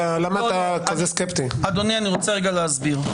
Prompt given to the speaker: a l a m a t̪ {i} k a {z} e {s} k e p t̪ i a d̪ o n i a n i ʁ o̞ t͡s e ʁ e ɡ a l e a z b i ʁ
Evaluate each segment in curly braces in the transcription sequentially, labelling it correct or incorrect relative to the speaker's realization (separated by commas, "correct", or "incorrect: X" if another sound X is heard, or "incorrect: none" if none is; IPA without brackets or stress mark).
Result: incorrect: a, correct, correct